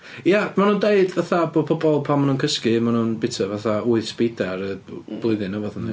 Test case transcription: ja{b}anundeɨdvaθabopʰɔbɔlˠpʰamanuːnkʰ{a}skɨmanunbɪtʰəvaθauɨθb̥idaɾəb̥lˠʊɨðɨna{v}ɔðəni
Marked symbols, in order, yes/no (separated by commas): no, no, yes